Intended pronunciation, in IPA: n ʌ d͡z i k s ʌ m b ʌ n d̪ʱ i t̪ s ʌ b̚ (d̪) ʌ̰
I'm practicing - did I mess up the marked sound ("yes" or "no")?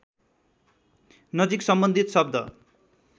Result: no